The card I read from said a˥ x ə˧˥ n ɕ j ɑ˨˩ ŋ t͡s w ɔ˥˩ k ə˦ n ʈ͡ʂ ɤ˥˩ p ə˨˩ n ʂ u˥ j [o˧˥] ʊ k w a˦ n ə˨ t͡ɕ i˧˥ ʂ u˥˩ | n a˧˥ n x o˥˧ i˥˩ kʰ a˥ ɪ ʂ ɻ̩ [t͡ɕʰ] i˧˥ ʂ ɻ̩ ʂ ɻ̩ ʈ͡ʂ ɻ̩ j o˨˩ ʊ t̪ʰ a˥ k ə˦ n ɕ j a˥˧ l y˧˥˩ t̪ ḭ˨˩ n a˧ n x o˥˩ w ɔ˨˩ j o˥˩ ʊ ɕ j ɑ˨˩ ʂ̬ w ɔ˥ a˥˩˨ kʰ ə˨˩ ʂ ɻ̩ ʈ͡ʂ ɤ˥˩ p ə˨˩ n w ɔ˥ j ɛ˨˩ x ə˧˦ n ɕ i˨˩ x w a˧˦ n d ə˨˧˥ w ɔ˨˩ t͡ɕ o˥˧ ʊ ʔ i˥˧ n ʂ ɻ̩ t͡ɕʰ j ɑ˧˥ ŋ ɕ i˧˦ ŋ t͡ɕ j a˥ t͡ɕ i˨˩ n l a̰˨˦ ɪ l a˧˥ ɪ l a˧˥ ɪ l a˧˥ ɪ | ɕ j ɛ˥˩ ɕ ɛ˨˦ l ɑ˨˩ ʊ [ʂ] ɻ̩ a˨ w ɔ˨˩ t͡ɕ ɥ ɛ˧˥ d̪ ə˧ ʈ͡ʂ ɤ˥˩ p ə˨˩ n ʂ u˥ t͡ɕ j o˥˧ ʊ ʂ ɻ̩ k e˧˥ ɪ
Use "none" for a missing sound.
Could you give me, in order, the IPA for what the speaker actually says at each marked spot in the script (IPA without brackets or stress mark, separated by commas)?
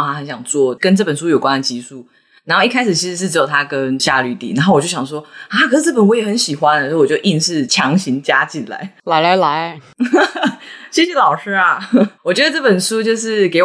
o˨˩, t͡ɕʰ, ʂ